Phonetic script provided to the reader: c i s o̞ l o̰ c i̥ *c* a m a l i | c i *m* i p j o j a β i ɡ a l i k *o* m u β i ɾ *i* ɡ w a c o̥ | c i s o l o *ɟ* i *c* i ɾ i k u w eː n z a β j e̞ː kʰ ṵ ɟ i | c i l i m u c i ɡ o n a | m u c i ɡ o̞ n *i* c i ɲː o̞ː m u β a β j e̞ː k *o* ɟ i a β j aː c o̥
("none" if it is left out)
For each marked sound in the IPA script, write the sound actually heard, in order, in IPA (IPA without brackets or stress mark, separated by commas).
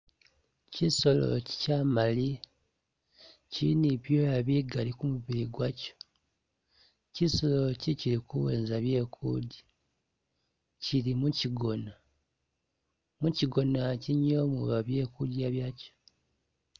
c, n, u, i, c, c, a, u